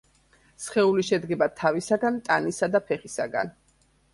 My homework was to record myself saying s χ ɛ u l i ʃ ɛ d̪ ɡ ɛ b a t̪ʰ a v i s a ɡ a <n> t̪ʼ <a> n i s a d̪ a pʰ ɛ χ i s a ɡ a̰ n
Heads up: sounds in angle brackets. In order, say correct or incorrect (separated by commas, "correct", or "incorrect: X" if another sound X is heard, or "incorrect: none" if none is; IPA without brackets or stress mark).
correct, correct